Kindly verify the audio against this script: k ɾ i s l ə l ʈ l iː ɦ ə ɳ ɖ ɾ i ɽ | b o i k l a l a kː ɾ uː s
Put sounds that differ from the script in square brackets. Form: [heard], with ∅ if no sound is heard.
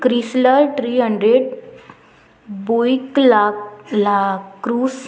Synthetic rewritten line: k ɾ i s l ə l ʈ [ɾ] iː ɦ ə ɳ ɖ ɾ [e] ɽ | b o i k l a l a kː ɾ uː s

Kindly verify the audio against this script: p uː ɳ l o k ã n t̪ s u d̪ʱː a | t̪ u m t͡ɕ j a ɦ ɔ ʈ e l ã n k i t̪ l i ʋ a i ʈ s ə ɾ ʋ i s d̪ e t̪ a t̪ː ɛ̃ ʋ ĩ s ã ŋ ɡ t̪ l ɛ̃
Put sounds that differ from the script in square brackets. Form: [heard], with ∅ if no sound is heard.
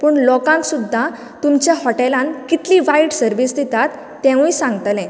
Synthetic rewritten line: p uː ɳ l [ɔ] k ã n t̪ s u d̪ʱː a | t̪ u m t͡ɕ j a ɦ ɔ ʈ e l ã n k i t̪ l i ʋ a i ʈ s ə ɾ ʋ i s d̪ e t̪ a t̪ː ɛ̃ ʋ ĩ s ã ŋ ɡ t̪ l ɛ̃

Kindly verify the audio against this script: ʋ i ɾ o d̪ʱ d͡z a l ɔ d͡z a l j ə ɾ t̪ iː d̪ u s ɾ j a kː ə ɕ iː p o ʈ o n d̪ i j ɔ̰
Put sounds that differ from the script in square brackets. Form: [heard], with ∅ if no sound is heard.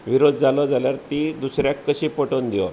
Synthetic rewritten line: ʋ i ɾ o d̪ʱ d͡z a l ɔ d͡z a l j [a] ɾ t̪ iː d̪ u s ɾ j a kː ə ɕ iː p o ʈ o n d̪ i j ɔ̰

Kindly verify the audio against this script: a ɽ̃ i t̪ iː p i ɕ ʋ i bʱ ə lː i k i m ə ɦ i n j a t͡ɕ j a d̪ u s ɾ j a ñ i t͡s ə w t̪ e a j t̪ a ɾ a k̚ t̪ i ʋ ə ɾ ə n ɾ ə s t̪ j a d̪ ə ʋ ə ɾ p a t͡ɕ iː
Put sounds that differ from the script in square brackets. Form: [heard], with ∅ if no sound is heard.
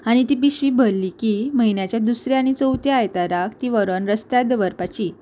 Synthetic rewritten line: a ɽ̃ i t̪ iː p i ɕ ʋ i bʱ ə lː i k i m ə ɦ i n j a t͡ɕ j a d̪ u s ɾ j a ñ i t͡s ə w t̪ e a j t̪ a ɾ a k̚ t̪ i ʋ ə ɾ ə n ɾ ə s t̪ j a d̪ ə ʋ ə ɾ p a t͡ɕ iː

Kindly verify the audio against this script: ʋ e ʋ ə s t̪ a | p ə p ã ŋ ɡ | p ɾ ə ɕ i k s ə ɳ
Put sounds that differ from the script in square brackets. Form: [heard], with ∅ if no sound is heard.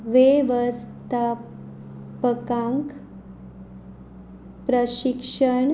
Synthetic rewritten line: ʋ e ʋ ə s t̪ a | p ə [k] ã ŋ [k] | p ɾ ə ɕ i k [ʂ] ə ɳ

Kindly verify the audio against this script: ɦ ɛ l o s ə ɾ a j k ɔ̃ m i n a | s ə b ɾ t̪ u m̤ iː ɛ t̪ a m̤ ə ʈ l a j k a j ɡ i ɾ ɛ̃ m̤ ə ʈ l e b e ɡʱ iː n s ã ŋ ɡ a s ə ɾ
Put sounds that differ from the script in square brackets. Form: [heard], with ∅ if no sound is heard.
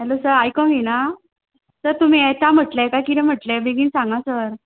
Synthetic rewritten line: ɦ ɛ l o s ə ɾ a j k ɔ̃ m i n a | s ə [∅] ɾ t̪ u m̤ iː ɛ t̪ a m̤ ə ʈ l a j k a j [k] i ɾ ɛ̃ m̤ ə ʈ l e b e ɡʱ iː n s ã ŋ ɡ a s ə ɾ

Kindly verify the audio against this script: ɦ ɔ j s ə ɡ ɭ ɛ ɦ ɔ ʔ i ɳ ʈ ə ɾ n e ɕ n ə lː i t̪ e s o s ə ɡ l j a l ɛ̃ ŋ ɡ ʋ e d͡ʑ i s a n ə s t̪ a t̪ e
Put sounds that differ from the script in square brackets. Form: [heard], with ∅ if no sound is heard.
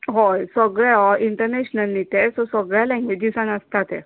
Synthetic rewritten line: ɦ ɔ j s ə ɡ ɭ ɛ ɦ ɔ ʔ i ɳ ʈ ə ɾ n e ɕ n ə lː i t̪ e s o s ə ɡ [ɭ] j a l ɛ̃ ŋ ɡ ʋ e d͡ʑ i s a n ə s t̪ a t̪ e

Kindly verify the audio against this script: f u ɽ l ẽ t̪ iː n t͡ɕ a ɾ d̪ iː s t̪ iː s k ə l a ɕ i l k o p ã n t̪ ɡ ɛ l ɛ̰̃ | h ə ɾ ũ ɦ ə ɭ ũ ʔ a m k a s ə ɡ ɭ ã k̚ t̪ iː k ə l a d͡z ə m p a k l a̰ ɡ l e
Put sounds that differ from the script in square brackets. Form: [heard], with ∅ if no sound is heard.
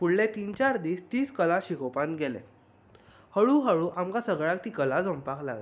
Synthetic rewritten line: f u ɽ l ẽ t̪ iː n t͡ɕ a ɾ d̪ iː s t̪ iː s k ə l a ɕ i [∅] k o p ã n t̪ ɡ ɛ l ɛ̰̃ | h ə [ɭ] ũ ɦ ə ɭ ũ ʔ a m k a s ə ɡ ɭ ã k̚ t̪ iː k ə l a d͡z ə m p a k l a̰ ɡ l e

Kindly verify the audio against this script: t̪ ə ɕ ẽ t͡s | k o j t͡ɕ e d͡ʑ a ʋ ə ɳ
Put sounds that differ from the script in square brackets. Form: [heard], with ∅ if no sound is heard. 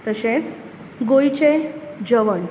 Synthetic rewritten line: t̪ ə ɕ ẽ t͡s | [ɡ] o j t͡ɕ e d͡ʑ [ə] ʋ ə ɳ

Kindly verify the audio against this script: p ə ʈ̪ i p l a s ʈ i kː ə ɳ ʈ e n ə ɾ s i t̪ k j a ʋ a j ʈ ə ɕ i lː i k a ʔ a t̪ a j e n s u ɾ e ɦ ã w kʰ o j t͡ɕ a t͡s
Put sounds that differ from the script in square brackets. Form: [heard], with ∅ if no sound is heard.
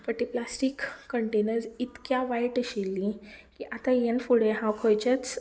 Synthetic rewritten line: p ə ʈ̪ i p l a s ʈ i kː ə ɳ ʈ e n ə ɾ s i t̪ k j a ʋ a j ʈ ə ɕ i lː i k [i] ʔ a t̪ a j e n [f] u [ɽ] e ɦ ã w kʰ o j t͡ɕ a t͡s

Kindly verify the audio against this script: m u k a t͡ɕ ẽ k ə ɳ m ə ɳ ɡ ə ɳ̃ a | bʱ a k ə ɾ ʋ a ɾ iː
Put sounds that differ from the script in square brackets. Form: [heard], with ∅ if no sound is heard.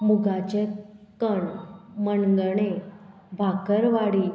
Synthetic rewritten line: m u [ɡ] a t͡ɕ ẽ k ə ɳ m ə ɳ ɡ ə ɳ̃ [e] | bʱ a k ə ɾ ʋ a [ɽ] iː

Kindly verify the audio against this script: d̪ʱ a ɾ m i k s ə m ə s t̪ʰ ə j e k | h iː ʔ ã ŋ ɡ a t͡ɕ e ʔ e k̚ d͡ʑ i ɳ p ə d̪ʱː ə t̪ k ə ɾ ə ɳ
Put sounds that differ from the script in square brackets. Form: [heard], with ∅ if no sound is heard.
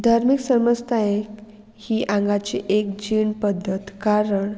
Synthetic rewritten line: d̪ʱ a ɾ m i k s ə m ə s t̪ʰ [a] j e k | h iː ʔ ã ŋ ɡ a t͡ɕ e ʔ e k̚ d͡ʑ i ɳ p ə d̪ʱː ə t̪ k [a] ɾ ə ɳ

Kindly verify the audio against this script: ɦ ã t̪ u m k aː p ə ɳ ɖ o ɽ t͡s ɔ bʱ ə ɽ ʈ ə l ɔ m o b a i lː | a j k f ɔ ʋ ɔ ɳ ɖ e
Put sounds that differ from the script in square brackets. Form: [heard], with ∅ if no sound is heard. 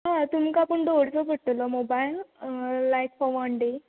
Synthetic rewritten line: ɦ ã t̪ u m k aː p ə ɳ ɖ o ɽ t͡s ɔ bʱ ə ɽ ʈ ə l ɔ m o b a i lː | a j k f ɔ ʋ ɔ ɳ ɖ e

